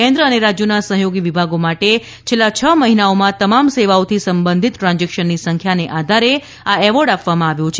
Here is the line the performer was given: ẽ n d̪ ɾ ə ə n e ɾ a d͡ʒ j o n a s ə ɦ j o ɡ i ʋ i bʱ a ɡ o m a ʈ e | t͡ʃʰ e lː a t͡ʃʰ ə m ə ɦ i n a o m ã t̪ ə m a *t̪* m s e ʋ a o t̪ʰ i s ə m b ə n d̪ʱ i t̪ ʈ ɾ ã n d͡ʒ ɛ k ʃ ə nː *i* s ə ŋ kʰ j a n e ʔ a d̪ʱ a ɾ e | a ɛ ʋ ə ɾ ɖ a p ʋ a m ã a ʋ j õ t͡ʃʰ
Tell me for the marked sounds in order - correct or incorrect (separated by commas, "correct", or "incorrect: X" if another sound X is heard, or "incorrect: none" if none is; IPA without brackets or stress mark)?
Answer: incorrect: none, correct